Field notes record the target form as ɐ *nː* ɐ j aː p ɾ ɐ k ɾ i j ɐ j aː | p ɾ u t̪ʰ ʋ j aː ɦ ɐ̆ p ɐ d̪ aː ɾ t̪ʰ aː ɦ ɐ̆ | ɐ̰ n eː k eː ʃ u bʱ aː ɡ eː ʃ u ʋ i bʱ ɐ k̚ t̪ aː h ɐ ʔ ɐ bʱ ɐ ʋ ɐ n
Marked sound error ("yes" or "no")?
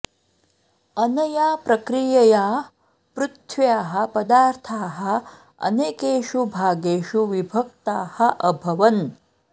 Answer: yes